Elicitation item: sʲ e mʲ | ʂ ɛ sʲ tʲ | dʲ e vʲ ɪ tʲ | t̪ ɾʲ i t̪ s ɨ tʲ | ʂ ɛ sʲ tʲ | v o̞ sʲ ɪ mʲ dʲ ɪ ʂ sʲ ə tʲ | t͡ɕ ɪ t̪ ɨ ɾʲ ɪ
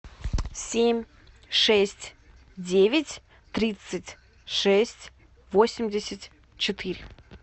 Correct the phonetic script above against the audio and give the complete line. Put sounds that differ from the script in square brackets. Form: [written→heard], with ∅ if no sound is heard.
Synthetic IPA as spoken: sʲ e mʲ | ʂ ɛ sʲ tʲ | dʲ e vʲ ɪ tʲ | t̪ ɾʲ i t̪ s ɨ tʲ | ʂ ɛ sʲ tʲ | v o̞ sʲ ɪ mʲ dʲ ɪ [ʂ→∅] sʲ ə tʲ | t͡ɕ ɪ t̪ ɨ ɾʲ ɪ